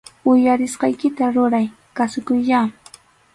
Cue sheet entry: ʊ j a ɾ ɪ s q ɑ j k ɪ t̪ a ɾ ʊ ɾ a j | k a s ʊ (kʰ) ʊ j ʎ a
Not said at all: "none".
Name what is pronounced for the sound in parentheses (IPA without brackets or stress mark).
k